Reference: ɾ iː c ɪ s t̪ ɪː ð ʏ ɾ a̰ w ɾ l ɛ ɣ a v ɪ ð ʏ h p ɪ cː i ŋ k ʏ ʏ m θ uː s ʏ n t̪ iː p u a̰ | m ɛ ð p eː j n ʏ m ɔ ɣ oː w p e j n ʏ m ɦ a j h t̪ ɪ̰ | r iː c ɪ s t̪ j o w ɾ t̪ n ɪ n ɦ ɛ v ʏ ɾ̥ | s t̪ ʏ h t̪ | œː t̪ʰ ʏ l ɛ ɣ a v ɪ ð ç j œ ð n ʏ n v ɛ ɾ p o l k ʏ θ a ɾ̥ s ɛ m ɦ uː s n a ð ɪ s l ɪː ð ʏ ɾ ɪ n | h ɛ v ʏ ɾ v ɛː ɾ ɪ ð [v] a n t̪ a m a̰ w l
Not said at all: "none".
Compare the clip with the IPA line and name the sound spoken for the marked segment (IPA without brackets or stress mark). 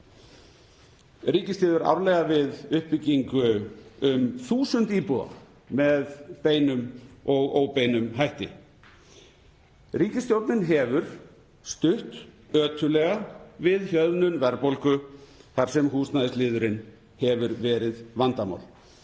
v